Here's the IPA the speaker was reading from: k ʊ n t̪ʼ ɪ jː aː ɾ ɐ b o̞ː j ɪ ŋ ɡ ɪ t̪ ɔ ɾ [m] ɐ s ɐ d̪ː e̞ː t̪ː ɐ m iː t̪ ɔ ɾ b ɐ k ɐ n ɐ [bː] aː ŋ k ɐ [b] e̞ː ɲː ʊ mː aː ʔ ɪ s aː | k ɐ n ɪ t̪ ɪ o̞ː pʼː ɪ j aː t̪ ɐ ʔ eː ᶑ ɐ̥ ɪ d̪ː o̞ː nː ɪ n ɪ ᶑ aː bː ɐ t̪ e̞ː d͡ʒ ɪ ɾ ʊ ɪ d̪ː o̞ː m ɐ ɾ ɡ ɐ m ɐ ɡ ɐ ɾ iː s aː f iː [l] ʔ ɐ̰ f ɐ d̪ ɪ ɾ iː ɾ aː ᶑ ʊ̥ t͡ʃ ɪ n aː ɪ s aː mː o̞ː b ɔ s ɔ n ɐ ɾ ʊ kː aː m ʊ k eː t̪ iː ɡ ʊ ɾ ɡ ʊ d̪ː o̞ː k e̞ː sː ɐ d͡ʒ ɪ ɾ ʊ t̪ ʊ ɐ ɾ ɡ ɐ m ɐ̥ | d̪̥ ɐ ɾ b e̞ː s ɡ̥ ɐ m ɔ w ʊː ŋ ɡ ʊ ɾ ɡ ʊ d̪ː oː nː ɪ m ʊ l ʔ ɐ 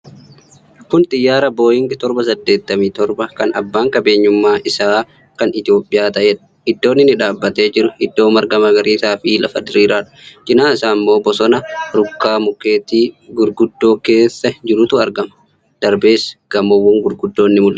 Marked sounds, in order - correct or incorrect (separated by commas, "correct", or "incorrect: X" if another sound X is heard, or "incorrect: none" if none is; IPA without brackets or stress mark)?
incorrect: b, correct, correct, correct